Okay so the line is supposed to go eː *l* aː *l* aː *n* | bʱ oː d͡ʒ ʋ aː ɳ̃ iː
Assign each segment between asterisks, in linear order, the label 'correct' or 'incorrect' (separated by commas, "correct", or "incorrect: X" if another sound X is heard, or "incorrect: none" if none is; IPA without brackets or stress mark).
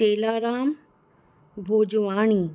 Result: correct, incorrect: ɾ, incorrect: m